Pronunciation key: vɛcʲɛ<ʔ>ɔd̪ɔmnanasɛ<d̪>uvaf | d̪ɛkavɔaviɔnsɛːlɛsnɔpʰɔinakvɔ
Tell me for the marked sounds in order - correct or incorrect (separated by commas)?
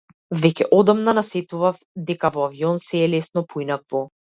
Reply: correct, incorrect